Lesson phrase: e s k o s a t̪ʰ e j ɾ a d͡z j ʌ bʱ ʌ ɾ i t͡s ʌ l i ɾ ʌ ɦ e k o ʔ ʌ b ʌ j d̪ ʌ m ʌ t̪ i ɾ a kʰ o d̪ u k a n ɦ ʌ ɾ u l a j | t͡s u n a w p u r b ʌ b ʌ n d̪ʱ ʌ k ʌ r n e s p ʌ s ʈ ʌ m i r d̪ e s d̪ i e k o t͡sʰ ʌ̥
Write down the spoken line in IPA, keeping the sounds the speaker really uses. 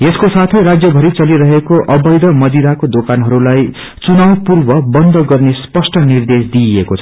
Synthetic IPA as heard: e s k o s a t̪ʰ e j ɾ a d͡z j ʌ bʱ ʌ ɾ i t͡s ʌ l i ɾ ʌ ɦ e k o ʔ ʌ b ʌ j d̪ ʌ m ʌ d̪ i ɾ a k o d̪ o k a n ɦ ʌ ɾ u l a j | t͡s u n a w p u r b ʌ b ʌ n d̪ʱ ʌ ɡ ʌ r n e s p ʌ s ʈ ʌ n i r d̪ e s d̪ i e k o t͡sʰ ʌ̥

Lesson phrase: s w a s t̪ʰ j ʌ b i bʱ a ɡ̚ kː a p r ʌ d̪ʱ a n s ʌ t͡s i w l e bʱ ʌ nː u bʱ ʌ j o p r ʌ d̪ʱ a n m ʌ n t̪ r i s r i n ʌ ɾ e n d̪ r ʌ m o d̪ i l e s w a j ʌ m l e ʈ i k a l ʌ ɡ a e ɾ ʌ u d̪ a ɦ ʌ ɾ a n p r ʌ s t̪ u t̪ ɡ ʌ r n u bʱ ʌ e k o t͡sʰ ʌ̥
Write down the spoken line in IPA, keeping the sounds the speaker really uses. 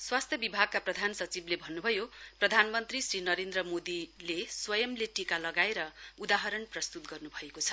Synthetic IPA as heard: s w a s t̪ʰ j ʌ b i bʱ a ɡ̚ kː a p r ʌ d̪ʱ a n s ʌ t͡s i b l e bʱ ʌ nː u bʱ ʌ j o p r ʌ d̪ʱ a n m ʌ n t̪ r i s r i n ʌ ɾ e n d̪ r ʌ m o d̪ i l e s w ʌ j ʌ m l e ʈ i k a l ʌ ɡ a e ɾ ʌ u d̪ a ɦ ʌ ɾ ʌ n p r ʌ s t̪ u t̪ ɡ ʌ r n u bʱ ʌ e k o t͡sʰ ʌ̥

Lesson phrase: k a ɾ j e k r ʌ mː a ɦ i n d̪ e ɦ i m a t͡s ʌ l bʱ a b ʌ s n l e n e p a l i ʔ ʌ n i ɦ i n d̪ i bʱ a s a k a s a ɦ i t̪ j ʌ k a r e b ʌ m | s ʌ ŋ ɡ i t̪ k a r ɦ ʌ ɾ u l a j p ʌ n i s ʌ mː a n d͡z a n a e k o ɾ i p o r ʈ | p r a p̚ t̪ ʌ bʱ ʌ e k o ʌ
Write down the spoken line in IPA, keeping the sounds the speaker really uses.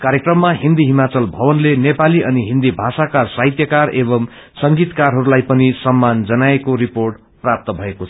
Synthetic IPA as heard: k a ɾ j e k r ʌ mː a ɦ i n d̪ i ɦ i m a t͡s ʌ l bʱ ʌ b ʌ n l e n e p a l i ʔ ʌ n i ɦ i n d̪ i bʱ a s a k a s a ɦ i t̪ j ʌ k a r e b ʌ m | s ʌ ŋ ɡ i t̪ k a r ɦ ʌ ɾ u l a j p ʌ n i s ʌ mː a n d͡z ʌ n a e k o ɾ i p o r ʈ | p r a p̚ t̪ ʌ bʱ ʌ e k o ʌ

